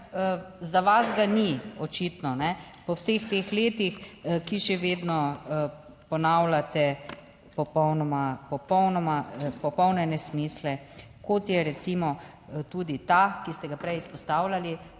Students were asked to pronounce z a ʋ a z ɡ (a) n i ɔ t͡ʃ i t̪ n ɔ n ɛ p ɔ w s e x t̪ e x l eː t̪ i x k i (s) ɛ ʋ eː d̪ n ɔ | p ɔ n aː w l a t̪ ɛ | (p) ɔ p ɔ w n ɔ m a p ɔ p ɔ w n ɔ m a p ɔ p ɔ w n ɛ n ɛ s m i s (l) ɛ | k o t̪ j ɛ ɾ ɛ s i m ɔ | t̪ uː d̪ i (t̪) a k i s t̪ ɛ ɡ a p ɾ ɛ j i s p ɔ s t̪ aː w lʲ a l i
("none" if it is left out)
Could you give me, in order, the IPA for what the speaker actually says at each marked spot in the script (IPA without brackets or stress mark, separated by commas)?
a, ʃ, p, l, t̪